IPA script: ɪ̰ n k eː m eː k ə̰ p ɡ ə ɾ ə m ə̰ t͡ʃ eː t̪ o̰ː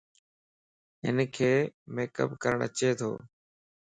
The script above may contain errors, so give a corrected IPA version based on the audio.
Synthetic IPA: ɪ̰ n kʰ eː m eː k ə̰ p k ə ɾ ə ɳ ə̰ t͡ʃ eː t̪ʰ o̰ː